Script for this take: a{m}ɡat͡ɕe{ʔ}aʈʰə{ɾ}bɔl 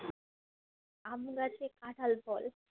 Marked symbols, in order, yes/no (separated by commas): yes, no, no